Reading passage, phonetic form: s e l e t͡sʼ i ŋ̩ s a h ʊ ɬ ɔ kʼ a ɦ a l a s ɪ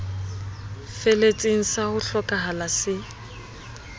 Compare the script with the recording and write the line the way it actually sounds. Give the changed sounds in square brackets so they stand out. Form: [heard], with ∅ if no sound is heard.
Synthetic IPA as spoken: [f] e l e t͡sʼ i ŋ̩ s a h ʊ ɬ ɔ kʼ a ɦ a l a s ɪ

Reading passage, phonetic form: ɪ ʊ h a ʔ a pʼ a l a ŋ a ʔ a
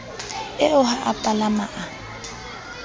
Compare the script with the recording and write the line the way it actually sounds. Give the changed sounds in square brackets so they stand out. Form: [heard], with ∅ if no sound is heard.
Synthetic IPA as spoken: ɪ ʊ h a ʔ a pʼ a l a [m] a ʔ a

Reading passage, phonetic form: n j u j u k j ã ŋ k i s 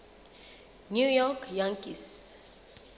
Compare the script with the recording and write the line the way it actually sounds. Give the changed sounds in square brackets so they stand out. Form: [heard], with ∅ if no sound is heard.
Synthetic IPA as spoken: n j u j [ɔ] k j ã ŋ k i s

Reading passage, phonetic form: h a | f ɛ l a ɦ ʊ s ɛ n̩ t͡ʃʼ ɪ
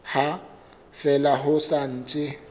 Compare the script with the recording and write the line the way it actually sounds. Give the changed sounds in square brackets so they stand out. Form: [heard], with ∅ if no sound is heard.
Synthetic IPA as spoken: h a | f ɛ l a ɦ ʊ s [a] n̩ t͡ʃʼ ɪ

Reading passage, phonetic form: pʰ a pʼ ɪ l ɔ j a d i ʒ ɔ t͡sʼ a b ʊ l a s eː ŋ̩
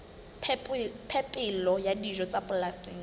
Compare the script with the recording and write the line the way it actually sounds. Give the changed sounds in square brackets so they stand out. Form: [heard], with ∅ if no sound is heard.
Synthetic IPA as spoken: pʰ [ɛ] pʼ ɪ l ɔ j a d i ʒ ɔ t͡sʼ a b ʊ l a s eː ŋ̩

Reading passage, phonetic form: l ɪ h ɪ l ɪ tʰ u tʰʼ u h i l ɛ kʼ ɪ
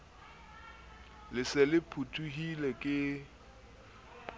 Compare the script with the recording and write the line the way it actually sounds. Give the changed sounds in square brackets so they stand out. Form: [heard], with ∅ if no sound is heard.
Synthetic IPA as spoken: l ɪ [s] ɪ l ɪ [pʰ] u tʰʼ u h i l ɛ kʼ ɪ

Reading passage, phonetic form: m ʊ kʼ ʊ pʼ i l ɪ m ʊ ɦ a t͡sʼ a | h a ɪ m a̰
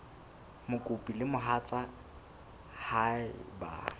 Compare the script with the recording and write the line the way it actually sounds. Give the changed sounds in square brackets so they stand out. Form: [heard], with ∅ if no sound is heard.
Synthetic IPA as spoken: m ʊ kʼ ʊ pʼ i l ɪ m ʊ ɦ a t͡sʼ a | h a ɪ [b] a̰

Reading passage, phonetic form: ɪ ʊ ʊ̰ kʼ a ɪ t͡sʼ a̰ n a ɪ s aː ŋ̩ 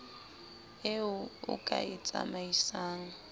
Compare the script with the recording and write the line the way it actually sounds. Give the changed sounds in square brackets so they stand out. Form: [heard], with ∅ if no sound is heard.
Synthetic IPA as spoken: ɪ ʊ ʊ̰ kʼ a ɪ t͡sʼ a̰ [m] a [i] s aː ŋ̩

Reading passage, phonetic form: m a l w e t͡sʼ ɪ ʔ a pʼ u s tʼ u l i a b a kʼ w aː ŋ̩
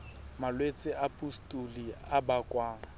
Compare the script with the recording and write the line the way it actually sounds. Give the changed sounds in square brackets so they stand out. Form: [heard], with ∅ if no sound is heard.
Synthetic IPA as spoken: m a l w e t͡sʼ ɪ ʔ a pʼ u s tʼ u l i a b a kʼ w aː ŋ̩

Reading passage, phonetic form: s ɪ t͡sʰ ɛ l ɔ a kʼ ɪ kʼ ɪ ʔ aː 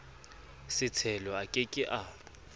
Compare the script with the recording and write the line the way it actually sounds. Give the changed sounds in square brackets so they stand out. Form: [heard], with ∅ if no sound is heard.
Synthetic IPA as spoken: s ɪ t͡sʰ ɛ l ɔ a kʼ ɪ kʼ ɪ ʔ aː

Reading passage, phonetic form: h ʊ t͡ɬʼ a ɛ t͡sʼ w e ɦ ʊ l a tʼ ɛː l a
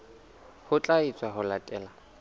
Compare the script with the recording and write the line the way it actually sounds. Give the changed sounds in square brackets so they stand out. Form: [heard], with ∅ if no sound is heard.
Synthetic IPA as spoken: h ʊ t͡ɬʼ a [i] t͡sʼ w [a] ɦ ʊ l a tʼ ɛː l a

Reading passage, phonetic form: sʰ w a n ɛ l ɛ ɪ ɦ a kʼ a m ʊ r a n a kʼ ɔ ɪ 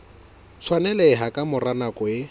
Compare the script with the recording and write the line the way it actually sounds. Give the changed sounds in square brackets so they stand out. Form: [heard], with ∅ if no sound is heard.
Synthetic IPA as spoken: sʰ w a n ɛ l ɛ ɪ ɦ a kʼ a m ʊ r a n a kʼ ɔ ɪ

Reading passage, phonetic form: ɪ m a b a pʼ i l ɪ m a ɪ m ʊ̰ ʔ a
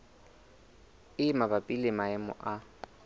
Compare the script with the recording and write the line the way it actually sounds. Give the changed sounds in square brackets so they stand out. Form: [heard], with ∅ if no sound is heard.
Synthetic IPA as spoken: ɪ m a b a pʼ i l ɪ m a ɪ m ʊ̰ ʔ a

